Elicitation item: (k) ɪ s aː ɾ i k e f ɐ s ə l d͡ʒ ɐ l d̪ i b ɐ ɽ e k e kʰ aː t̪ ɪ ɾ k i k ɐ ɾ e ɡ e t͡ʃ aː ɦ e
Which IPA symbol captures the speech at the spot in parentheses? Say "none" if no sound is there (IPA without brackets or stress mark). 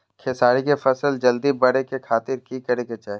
kʰ